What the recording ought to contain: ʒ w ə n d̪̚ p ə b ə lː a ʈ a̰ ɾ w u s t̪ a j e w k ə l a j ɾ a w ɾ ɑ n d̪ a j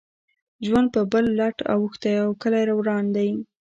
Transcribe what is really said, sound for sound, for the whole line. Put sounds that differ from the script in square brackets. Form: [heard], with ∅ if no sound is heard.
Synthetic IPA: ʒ w [a] n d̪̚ p ə b ə lː a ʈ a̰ [∅] w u [x] t̪ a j [a] w k ə l a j ɾ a w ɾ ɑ n d̪ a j